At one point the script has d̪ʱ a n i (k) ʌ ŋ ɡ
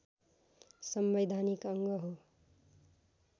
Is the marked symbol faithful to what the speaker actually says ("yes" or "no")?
yes